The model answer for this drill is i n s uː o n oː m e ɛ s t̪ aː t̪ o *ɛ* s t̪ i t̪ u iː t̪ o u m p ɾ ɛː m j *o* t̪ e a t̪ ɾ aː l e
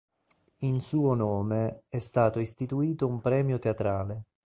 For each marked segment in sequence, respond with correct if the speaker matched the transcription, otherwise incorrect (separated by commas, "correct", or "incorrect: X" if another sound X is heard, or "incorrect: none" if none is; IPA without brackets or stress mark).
incorrect: i, correct